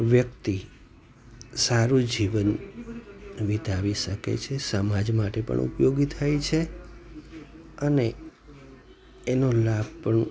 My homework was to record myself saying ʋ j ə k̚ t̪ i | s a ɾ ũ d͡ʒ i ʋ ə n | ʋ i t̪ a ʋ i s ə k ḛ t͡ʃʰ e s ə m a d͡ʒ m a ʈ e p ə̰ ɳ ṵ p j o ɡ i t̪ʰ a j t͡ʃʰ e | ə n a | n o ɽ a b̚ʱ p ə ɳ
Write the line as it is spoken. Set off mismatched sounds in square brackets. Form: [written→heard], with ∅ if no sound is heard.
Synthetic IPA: ʋ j ə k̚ t̪ i | s a ɾ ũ d͡ʒ i ʋ ə n | ʋ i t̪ a ʋ i [s→ʃ] ə k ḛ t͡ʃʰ e s ə m a d͡ʒ m a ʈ e p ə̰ ɳ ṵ p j o ɡ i t̪ʰ a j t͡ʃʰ e | ə n [a→e] | n o [ɽ→l] a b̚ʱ p ə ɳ

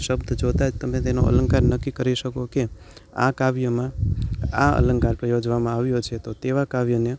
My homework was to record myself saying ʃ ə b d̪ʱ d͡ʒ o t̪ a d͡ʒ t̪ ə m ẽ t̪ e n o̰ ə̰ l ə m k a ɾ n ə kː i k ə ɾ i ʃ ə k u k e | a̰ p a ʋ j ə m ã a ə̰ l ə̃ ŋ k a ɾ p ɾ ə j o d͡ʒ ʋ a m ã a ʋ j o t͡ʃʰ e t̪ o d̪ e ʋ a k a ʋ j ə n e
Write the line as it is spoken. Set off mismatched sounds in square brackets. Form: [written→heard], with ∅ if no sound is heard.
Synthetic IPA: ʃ ə b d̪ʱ d͡ʒ o t̪ a d͡ʒ t̪ ə m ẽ t̪ e n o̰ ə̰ l ə [m→ŋ] k a ɾ n ə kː i k ə ɾ i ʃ ə k [u→o] k e | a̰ [p→k] a ʋ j ə m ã a ə̰ l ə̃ ŋ k a ɾ p ɾ ə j o d͡ʒ ʋ a m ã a ʋ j o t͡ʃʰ e t̪ o [d̪→t̪] e ʋ a k a ʋ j ə n e

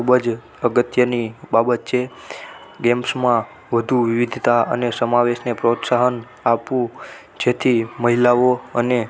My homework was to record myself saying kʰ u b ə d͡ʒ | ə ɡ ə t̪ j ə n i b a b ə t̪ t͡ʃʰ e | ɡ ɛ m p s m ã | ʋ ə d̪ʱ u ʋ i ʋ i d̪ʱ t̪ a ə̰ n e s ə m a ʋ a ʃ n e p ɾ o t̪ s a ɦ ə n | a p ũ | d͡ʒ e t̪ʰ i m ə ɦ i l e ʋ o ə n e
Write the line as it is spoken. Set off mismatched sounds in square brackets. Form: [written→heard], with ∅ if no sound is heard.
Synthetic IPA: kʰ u b ə d͡ʒ | ə ɡ ə t̪ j ə n i b a b ə t̪ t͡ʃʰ e | ɡ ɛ m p s m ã | ʋ ə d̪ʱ u ʋ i ʋ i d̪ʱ t̪ a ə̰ n e s ə m a ʋ [a→e] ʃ n e p ɾ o t̪ s a ɦ ə n | a p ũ | d͡ʒ e t̪ʰ i m ə ɦ i l [e→a] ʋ o ə n e

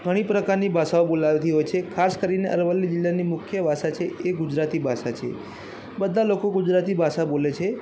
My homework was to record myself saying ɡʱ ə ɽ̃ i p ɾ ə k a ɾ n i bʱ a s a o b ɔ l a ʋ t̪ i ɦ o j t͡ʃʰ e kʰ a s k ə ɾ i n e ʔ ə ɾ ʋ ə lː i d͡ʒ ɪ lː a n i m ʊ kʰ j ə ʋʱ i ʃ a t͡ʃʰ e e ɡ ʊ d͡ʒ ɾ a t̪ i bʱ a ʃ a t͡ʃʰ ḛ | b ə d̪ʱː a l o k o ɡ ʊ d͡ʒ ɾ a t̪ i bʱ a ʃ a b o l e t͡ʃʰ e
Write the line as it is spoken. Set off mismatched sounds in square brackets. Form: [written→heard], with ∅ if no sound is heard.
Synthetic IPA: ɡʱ ə ɽ̃ i p ɾ ə k a ɾ n i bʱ a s a o b [ɔ→o] l a ʋ t̪ i ɦ o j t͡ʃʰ e kʰ a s k ə ɾ i n e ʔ ə ɾ ʋ ə lː i d͡ʒ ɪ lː a n i m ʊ kʰ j ə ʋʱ [i→a] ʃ a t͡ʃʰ e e ɡ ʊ d͡ʒ ɾ a t̪ i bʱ a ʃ a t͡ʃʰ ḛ | b ə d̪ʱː a l o k o ɡ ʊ d͡ʒ ɾ a t̪ i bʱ a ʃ a b o l e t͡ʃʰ e

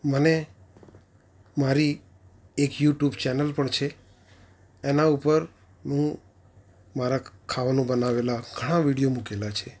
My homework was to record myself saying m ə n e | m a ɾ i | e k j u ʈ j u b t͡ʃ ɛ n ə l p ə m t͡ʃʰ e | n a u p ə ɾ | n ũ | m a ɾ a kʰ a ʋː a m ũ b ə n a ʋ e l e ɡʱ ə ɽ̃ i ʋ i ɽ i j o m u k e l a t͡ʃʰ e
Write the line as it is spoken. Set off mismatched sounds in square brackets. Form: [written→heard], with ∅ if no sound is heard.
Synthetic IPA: m ə n e | m a ɾ i | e k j u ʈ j u b t͡ʃ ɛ n ə l p ə [m→ɳ] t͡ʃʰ e | n a u p ə ɾ | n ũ | m a ɾ a kʰ a [ʋː→ʋ] a [m→n] ũ b ə n a ʋ e l [e→a] ɡʱ ə ɽ̃ [i→a] ʋ i ɽ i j o m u k e l a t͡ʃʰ e

